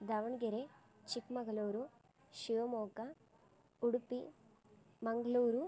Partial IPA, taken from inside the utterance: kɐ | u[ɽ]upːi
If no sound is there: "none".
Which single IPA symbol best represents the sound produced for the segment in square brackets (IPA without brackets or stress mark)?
ɽ